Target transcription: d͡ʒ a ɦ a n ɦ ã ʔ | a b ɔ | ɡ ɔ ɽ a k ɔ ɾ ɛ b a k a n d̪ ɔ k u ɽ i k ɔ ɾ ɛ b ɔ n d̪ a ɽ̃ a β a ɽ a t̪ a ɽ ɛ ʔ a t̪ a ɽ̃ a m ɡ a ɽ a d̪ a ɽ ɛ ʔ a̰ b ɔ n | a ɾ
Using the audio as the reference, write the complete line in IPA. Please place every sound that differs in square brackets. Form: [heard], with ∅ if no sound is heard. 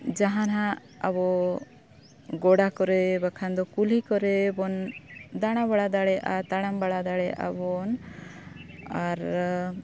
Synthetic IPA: d͡ʒ a ɦ a n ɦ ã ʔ | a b ɔ | ɡ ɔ ɽ a k ɔ ɾ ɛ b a [kʰ] a n d̪ ɔ k u [l] i k ɔ ɾ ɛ b ɔ n d̪ a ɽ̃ a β a ɽ a [d̪] a ɽ ɛ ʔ a t̪ a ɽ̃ a m [b] a ɽ a d̪ a ɽ ɛ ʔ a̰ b ɔ n | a ɾ

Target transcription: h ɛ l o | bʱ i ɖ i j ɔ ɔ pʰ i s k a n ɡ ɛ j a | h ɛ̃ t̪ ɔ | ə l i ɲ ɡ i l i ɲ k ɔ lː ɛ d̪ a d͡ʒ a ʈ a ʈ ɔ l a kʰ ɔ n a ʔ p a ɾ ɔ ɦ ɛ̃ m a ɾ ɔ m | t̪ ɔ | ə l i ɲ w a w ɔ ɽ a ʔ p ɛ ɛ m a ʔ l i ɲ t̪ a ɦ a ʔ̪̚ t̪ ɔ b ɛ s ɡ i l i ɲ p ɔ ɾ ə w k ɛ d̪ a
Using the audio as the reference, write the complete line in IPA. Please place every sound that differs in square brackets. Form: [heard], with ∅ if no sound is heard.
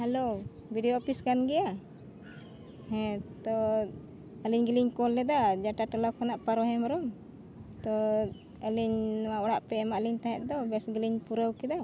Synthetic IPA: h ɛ l o | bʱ i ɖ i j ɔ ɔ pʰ i s k a n ɡ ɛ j a | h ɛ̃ t̪ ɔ | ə l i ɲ ɡ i l i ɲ k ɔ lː ɛ d̪ a d͡ʒ a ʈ a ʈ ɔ l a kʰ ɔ n a ʔ p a ɾ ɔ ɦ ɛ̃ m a ɾ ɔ m | t̪ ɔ | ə l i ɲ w a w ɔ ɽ a ʔ p ɛ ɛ m a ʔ l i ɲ t̪ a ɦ [ɛ] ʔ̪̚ [d̪] ɔ b ɛ s ɡ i l i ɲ p [u] ɾ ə w k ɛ d̪ a

